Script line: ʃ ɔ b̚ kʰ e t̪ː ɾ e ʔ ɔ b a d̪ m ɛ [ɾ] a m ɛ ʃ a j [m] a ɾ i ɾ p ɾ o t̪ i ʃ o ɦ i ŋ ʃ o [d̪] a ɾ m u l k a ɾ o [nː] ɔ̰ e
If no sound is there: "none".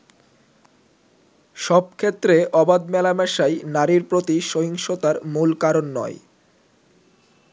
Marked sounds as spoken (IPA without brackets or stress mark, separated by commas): l, n, t̪, nː